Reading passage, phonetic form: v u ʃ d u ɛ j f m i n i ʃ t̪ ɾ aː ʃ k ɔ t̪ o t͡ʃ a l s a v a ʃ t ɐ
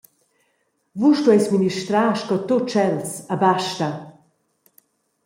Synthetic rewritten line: v u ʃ t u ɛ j s m i n i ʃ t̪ ɾ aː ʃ k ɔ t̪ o t͡ʃ ɛ l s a b a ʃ t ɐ

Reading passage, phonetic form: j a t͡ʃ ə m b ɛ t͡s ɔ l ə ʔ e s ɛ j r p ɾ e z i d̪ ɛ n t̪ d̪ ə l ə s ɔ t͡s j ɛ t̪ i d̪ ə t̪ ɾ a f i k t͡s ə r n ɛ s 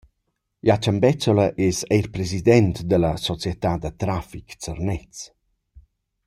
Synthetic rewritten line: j a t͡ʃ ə m b ɛ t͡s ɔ l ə ʔ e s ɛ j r p ɾ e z i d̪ ɛ n t̪ d̪ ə l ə s ɔ t͡s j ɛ t̪ a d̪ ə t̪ ɾ a f i k t͡s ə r n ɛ t͡s

